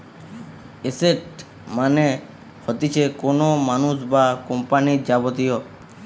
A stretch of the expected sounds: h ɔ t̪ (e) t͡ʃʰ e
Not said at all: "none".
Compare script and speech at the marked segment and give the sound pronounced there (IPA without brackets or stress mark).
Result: i